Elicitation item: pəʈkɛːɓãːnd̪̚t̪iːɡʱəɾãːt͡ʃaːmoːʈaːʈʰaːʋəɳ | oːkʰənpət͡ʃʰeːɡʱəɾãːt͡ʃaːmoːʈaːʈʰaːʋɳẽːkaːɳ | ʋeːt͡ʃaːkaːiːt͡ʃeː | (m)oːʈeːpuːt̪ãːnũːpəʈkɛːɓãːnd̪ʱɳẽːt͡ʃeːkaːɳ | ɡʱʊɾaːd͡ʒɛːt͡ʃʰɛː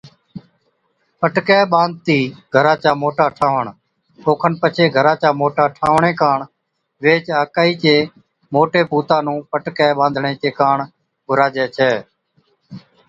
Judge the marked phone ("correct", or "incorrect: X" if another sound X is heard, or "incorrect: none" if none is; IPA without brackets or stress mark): correct